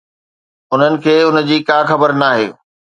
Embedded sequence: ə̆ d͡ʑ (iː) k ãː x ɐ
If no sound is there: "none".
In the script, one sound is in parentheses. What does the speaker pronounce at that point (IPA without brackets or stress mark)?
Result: iː